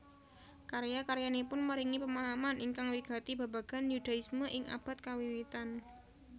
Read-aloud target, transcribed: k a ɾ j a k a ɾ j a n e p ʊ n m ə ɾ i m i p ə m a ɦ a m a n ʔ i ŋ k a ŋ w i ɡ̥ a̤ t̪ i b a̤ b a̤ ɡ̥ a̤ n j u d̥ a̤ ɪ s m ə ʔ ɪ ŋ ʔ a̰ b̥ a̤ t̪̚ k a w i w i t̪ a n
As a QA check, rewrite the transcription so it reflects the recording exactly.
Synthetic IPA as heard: k a ɾ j a k a ɾ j a n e p ʊ n m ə ɾ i ŋ i p ə m a ɦ a m a n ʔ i ŋ k a ŋ w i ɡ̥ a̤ t̪ i b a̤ b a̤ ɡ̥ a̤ n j u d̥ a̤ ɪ s m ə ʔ ɪ ŋ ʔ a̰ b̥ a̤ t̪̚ k a w i w i t̪ a n

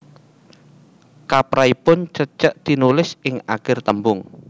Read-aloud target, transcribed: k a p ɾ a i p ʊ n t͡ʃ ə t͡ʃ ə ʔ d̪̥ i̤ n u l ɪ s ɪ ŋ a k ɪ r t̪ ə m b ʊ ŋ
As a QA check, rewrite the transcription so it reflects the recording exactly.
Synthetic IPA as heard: k a p ɾ a i p ʊ n t͡ʃ ə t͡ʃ ə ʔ d̪̥ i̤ n u l ɪ s ɪ ŋ a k ɪ r t̪ ə m b ʊ ŋ

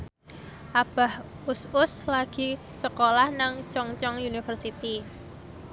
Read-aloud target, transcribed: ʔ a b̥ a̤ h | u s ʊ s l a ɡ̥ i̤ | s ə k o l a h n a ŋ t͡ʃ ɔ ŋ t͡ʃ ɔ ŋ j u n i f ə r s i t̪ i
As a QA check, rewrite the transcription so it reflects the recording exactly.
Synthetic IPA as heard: ʔ a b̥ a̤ h | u s ʊ s l a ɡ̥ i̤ | s ə k o l a h n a ŋ t͡ʃ ɔ ŋ t͡ʃ ɔ ŋ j u n i f ə r s i t̪ i

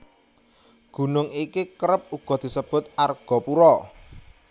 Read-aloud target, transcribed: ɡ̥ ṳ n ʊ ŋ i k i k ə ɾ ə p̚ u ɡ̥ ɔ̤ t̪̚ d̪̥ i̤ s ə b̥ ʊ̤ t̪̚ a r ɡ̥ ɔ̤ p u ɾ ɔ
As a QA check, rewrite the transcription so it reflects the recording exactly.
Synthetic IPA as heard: ɡ̥ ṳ n ʊ ŋ i k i k ə ɾ ə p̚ u ɡ̥ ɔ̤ d̪̥ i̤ s ə b̥ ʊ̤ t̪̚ a r ɡ̥ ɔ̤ p u ɾ ɔ

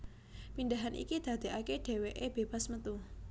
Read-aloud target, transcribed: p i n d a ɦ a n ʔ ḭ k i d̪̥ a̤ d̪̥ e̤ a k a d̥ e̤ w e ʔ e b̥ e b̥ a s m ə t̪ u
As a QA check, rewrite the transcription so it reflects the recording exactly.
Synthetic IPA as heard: p i n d a ɦ a n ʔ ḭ k i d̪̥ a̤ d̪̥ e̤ a k e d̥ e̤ w e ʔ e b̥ e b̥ a s m ə t̪ u

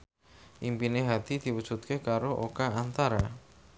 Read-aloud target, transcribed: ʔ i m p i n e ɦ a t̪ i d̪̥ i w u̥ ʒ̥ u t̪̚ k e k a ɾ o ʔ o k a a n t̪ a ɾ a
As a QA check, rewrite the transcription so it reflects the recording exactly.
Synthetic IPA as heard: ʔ i m p i n e ɦ a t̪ i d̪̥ i w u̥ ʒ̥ u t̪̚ k e k a ɾ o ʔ o k a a n t̪ a ɾ a

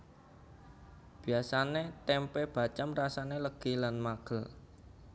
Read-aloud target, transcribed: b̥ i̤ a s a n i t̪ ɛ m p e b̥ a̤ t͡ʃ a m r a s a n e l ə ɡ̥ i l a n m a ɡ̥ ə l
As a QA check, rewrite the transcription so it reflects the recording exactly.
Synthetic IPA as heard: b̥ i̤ a s a n e t̪ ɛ m p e b̥ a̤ t͡ʃ a m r a s a n e l ə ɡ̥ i l a n m a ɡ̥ ə l

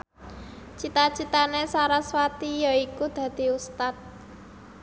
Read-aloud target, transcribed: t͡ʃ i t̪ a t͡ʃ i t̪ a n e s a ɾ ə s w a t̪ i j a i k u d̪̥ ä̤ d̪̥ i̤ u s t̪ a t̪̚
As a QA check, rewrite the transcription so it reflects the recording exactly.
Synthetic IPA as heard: t͡ʃ i t̪ a t͡ʃ i t̪ a n e s a ɾ a s w a t̪ i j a i k u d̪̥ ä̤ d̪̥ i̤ u s t̪ a t̪̚

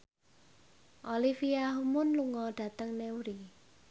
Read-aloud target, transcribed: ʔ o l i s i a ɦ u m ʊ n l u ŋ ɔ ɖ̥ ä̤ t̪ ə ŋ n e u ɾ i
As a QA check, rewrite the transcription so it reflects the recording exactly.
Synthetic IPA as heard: ʔ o l i f i a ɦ u m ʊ n l u ŋ ɔ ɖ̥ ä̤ t̪ ə ŋ n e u ɾ i

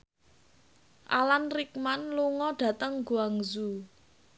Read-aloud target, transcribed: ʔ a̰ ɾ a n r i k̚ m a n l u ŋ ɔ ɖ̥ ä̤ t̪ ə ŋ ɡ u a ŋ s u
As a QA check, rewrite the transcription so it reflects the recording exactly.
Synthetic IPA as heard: ʔ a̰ l a n r i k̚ m a n l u ŋ ɔ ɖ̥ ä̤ t̪ ə ŋ ɡ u a ŋ z u

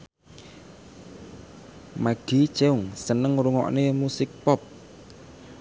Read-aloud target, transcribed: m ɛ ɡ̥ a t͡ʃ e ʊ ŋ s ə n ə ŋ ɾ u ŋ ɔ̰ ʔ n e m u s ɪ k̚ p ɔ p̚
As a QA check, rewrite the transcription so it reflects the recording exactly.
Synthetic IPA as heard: m a ɡ̥ i t͡ʃ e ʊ ŋ s ə n ə ŋ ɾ u ŋ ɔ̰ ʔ n e m u s ɪ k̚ p ɔ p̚

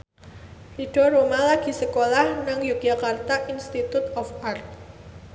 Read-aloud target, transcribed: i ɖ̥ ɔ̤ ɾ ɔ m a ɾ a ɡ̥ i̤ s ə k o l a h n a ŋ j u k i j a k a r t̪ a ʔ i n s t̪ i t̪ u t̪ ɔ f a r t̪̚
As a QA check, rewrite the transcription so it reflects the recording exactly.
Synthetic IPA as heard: i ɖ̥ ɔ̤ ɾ o m a l a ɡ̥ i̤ s ə k o l a h n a ŋ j u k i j a k a r t̪ a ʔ i n s t̪ i t̪ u t̪ ɔ f a r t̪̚

